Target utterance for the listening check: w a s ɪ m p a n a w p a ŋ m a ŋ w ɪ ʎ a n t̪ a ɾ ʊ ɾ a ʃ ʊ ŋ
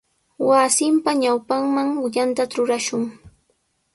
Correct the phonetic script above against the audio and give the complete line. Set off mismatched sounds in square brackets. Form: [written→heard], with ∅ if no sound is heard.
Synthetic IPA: w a s ɪ m p a [n→ɲ] a w p a ŋ m a ŋ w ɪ ʎ a n t̪ a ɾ ʊ ɾ a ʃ ʊ ŋ